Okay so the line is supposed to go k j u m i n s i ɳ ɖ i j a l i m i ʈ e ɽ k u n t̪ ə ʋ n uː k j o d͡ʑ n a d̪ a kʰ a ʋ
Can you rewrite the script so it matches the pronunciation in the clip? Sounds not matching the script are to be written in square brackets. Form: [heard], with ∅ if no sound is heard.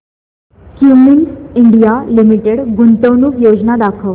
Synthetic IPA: k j u m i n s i ɳ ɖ i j a l i m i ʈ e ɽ [ɡ] u n t̪ ə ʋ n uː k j o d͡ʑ n a d̪ a kʰ [ə] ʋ